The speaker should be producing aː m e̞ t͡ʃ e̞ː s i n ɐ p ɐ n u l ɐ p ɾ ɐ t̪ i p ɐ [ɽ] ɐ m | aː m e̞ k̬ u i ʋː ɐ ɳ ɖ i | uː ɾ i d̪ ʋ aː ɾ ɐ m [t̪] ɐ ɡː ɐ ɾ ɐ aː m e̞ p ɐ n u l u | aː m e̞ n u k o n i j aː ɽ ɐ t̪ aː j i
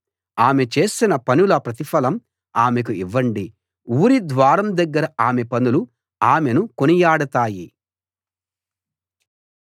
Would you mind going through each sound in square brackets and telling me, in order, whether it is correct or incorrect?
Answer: incorrect: l, incorrect: d̪

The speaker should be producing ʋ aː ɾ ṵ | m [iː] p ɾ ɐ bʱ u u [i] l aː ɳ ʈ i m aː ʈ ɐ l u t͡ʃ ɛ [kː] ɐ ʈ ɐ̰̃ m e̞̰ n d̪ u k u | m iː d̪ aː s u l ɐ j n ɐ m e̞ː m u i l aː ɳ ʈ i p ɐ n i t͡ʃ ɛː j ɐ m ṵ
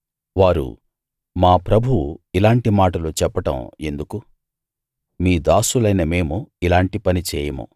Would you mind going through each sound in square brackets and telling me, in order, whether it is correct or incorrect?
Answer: incorrect: aː, correct, incorrect: pː

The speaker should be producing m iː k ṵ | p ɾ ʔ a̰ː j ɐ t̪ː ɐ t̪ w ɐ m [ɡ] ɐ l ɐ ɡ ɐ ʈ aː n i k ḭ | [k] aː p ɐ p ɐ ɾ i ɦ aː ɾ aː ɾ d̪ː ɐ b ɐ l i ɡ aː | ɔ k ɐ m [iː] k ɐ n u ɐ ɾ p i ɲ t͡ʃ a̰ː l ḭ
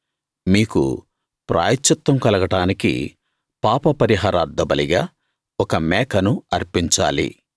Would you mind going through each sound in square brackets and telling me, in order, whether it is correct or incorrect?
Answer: incorrect: k, incorrect: p, incorrect: ɛː

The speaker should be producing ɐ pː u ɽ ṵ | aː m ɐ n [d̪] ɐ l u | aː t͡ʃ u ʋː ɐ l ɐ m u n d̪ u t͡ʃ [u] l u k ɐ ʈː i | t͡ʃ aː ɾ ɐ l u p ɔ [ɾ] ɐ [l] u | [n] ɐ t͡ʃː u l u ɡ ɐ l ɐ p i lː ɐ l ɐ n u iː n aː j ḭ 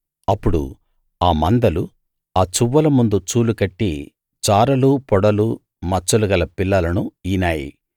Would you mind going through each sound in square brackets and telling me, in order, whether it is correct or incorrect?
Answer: correct, incorrect: uː, incorrect: ɽ, correct, incorrect: m

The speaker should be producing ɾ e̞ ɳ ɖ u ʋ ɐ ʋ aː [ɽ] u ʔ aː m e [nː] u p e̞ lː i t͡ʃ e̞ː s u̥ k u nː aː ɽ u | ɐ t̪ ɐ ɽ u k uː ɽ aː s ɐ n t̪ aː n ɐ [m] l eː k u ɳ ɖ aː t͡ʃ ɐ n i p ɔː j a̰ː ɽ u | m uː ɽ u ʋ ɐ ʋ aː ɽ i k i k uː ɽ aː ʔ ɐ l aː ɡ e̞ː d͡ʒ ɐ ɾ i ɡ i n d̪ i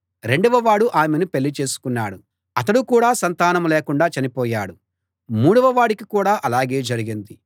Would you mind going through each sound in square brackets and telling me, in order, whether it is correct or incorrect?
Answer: correct, incorrect: n, correct

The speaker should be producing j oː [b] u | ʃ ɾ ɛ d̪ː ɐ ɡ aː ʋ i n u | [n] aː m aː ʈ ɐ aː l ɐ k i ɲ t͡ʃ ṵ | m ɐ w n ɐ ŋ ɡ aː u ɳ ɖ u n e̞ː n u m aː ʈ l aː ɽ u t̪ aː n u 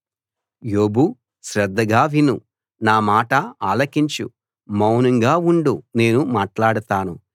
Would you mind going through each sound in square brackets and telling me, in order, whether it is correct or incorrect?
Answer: correct, correct

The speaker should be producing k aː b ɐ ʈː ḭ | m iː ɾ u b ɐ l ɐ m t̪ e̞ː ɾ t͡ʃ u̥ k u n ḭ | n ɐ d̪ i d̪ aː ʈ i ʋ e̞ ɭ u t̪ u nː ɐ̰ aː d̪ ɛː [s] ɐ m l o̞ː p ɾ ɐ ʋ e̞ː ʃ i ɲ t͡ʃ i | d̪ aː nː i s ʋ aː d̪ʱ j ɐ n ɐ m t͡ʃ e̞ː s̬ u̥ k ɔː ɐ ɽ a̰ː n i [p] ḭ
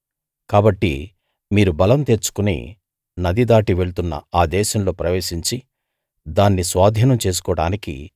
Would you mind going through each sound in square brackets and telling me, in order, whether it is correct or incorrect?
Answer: incorrect: ʃ, incorrect: k

